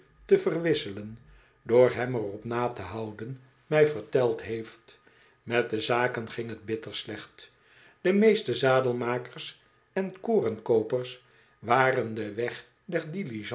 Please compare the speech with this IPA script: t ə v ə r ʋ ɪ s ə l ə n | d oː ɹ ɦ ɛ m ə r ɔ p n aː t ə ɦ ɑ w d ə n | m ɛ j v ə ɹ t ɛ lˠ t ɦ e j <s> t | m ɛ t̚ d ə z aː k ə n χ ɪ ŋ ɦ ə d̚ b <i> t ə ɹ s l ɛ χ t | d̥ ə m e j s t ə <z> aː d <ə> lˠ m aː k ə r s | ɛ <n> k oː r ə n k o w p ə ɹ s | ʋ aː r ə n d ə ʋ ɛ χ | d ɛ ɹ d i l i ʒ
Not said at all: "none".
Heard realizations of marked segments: f, ɪ, z, ə, n

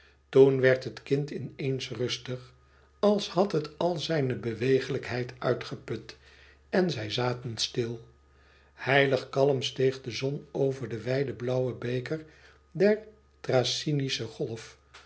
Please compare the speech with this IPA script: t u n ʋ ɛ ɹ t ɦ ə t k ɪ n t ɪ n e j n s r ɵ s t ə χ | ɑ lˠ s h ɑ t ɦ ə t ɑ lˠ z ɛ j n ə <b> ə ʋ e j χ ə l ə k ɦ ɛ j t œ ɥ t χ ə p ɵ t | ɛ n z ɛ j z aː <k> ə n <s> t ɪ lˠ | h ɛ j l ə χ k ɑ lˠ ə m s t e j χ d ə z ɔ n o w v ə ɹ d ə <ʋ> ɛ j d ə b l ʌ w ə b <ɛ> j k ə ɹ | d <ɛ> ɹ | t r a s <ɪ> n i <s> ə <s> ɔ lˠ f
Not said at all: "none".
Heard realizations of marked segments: b, t, s, ʋ, e, ɛ, i, s, χ

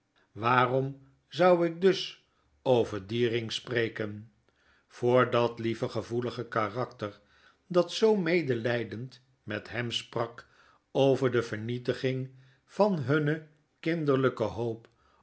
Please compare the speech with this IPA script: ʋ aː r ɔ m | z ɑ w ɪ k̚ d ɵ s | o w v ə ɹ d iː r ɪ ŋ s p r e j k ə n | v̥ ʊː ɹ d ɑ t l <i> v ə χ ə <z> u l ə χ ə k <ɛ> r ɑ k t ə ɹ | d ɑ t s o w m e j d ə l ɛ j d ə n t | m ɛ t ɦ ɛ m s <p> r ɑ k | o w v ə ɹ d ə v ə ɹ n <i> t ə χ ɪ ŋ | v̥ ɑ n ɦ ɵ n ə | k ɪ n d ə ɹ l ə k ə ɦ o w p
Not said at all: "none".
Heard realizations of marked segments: i, v, a, p, i

